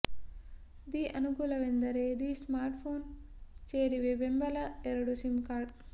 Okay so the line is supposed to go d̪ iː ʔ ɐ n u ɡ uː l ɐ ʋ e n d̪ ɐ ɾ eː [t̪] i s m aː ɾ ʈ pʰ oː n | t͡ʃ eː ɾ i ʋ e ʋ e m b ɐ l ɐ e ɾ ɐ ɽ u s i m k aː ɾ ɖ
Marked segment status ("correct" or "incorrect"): incorrect